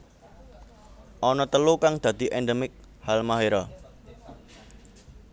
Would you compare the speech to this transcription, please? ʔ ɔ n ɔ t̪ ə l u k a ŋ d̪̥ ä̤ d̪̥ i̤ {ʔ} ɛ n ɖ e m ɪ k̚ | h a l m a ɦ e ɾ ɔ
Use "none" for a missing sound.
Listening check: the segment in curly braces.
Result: ʔ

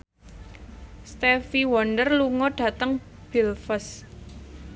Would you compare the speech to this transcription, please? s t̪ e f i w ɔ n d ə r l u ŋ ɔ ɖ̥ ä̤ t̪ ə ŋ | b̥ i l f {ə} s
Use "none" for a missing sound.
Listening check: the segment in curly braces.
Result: ə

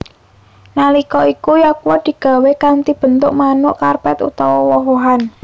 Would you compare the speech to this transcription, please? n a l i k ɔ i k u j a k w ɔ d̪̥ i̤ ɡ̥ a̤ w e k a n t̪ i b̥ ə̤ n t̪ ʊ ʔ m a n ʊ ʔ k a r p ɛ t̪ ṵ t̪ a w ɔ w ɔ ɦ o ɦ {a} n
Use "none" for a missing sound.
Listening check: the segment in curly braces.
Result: a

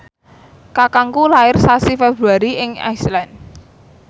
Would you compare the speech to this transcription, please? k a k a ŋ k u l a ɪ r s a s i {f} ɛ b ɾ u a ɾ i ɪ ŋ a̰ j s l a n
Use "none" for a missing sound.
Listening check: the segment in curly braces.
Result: f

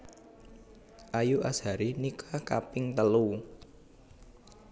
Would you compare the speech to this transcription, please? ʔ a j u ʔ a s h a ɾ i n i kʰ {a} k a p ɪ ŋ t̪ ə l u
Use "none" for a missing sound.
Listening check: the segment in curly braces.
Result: a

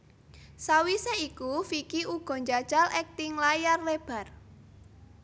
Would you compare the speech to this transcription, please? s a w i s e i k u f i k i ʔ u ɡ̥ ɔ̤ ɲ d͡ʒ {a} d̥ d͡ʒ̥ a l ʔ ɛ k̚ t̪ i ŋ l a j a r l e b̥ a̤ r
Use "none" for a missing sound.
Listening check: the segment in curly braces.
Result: a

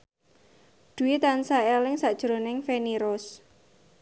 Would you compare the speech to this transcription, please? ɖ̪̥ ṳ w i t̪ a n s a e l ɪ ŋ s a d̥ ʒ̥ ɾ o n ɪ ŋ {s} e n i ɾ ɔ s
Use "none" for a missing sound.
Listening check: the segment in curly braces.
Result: f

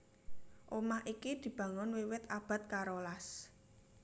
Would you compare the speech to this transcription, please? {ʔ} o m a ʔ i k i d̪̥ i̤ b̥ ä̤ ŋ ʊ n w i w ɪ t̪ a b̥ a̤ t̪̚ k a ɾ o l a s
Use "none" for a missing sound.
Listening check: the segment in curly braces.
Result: ʔ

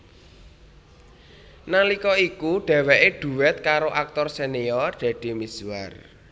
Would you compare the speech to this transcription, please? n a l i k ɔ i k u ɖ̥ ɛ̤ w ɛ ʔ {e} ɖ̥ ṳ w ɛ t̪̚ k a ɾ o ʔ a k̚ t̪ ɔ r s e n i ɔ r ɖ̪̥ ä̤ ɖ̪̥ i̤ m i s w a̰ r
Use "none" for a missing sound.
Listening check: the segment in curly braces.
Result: e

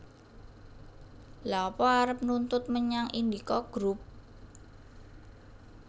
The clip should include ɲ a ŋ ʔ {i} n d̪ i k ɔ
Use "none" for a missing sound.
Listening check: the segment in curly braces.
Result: i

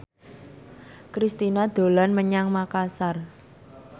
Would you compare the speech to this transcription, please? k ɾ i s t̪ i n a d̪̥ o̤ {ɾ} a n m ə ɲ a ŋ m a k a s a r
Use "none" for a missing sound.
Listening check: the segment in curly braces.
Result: l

